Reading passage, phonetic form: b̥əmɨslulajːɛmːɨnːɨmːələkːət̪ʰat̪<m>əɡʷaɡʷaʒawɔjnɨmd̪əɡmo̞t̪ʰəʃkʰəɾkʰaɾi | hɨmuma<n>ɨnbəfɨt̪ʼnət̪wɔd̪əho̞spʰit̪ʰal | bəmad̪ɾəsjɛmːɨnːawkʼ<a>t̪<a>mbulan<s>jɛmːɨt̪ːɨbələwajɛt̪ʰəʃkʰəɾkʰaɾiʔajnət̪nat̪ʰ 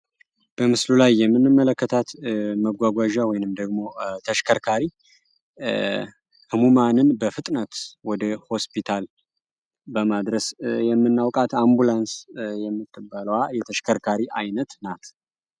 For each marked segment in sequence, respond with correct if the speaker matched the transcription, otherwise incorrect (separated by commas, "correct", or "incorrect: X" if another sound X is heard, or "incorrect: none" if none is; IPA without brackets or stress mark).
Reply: correct, correct, correct, correct, correct